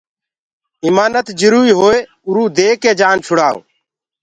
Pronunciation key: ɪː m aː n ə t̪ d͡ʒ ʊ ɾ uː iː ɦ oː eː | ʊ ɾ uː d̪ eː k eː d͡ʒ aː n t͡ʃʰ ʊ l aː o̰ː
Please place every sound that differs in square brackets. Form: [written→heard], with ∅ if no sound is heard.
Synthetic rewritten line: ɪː m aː n ə t̪ d͡ʒ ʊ ɾ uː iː ɦ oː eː | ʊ ɾ uː d̪ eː k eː d͡ʒ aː n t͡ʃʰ ʊ [l→ɽ] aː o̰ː